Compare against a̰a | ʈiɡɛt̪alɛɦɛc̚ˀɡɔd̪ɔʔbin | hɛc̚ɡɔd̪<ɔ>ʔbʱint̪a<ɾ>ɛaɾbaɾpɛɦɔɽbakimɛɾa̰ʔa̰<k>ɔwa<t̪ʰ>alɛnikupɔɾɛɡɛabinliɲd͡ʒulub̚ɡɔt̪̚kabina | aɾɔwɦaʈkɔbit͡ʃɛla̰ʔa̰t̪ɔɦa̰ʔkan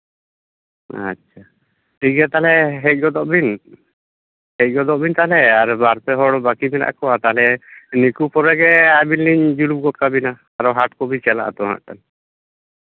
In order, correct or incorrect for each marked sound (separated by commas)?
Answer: correct, incorrect, correct, incorrect